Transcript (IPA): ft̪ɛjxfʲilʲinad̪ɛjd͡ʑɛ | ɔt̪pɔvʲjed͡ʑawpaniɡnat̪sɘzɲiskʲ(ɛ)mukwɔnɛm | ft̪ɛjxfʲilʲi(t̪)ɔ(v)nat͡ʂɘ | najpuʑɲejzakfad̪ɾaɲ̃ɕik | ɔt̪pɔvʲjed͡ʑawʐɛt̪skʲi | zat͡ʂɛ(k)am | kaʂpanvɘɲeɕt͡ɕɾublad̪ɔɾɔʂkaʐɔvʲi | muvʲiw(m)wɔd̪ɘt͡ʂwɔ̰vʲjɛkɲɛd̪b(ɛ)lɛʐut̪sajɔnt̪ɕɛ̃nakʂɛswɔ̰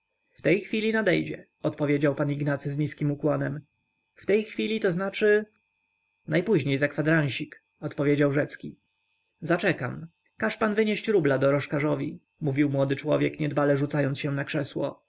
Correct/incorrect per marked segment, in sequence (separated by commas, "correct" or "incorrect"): incorrect, correct, incorrect, correct, correct, incorrect